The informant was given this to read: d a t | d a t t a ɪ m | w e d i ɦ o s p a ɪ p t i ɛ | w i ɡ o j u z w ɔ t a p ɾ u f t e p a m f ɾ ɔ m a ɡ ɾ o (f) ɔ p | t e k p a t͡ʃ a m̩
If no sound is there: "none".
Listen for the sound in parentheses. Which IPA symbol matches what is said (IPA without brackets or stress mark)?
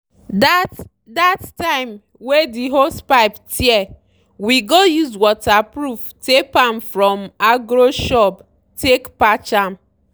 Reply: ʃ